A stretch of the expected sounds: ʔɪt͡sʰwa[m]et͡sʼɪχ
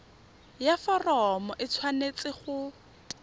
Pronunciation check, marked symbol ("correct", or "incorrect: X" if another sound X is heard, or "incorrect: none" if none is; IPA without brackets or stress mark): incorrect: n